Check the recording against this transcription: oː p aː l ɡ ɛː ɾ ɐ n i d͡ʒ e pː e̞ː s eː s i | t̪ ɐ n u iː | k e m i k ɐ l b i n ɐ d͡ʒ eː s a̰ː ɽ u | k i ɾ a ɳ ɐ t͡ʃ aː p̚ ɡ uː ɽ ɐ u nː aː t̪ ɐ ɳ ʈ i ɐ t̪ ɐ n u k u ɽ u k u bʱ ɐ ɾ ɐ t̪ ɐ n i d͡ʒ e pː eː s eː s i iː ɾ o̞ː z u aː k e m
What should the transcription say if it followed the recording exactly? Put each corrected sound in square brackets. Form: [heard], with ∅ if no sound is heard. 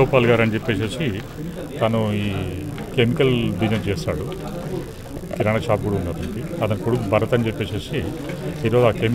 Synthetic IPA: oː p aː l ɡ [aː] ɾ ɐ n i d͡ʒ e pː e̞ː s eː s i | t̪ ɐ n u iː | k e m i k ɐ l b i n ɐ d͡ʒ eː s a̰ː ɽ u | k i ɾ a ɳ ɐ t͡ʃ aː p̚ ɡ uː ɽ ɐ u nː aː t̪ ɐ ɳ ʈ i ɐ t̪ ɐ n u k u ɽ u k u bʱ ɐ ɾ ɐ t̪ ɐ n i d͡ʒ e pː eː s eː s i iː ɾ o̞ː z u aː k e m